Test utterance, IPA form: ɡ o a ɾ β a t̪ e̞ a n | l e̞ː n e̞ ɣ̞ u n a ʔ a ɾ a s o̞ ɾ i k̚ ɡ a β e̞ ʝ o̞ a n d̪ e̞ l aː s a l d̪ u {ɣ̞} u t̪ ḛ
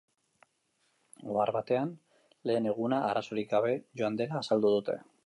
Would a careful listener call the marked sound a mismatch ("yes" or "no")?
yes